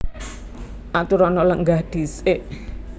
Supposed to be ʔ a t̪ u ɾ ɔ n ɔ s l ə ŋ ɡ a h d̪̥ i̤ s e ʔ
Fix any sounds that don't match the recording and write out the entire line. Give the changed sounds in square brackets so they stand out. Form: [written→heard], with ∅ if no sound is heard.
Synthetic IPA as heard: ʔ a t̪ u ɾ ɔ n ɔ [s→∅] l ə ŋ ɡ a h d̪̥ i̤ s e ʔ